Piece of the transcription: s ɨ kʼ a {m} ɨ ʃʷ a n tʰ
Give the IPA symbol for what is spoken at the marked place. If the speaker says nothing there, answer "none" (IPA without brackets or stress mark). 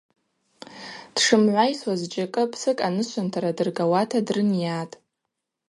n